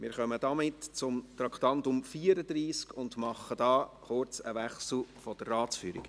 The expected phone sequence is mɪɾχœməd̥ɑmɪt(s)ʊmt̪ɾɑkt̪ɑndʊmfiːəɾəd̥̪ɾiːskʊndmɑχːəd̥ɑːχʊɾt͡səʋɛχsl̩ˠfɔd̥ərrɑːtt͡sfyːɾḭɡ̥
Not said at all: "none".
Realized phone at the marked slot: t͡s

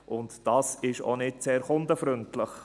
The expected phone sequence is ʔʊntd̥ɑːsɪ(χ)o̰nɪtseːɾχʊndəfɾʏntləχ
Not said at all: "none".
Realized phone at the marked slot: ʃ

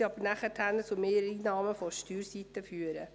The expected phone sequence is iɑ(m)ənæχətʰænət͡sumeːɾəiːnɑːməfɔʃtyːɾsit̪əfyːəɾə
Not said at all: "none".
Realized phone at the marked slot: b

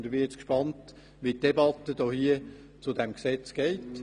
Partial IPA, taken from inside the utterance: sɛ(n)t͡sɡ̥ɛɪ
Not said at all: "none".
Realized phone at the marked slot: none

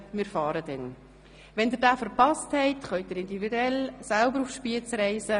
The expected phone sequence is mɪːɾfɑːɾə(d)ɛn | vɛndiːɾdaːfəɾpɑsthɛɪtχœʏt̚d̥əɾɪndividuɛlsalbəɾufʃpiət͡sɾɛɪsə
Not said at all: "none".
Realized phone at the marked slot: d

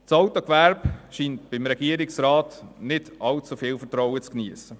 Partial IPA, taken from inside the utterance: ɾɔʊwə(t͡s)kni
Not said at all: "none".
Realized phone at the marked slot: t͡s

